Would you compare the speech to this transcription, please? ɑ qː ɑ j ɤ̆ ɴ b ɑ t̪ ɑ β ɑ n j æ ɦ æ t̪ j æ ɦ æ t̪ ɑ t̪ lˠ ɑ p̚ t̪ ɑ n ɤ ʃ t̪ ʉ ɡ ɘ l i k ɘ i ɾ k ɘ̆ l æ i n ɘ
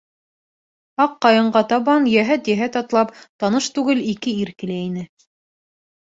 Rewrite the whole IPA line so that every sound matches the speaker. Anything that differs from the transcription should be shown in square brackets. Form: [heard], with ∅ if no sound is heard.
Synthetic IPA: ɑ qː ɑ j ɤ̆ ɴ [ɢ] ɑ t̪ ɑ β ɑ n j æ ɦ æ t̪ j æ ɦ æ t̪ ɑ t̪ lˠ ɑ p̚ t̪ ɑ n ɤ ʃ t̪ ʉ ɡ ɘ l i k ɘ i ɾ k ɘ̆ l æ i n ɘ